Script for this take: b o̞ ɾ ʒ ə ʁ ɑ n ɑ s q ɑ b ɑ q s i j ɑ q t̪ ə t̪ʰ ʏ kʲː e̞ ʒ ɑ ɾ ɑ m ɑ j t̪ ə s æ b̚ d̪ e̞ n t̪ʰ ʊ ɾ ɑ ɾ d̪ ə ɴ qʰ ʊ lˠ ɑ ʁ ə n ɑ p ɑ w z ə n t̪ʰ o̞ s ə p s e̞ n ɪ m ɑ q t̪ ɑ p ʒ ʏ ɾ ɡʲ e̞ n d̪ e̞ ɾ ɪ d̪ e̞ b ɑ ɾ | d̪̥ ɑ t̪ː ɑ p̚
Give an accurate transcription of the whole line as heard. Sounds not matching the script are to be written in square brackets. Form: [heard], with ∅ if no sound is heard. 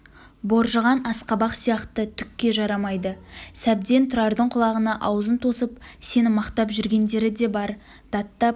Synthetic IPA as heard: b o̞ ɾ ʒ ə ʁ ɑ n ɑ s q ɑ b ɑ q s i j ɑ q t̪ ə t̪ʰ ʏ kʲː e̞ ʒ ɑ ɾ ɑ m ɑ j [d̪] ə s æ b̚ d̪ e̞ n t̪ʰ ʊ ɾ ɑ ɾ d̪ ə ɴ qʰ ʊ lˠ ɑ ʁ ə n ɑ [ʔ] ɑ w z ə n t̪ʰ o̞ s ə p s e̞ n ɪ m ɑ q t̪ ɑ p ʒ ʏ ɾ ɡʲ e̞ n d̪ e̞ ɾ ɪ d̪ e̞ b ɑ ɾ | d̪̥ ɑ t̪ː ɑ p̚